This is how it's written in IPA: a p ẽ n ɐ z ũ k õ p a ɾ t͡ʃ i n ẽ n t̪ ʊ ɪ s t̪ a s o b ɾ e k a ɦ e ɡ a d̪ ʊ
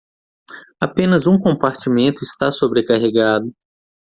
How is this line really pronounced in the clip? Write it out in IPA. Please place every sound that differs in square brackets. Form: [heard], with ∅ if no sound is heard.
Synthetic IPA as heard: a p ẽ n ɐ z ũ k õ p a ɾ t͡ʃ i [m] ẽ n t̪ ʊ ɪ s t̪ a s o b ɾ e k a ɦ e ɡ a d̪ ʊ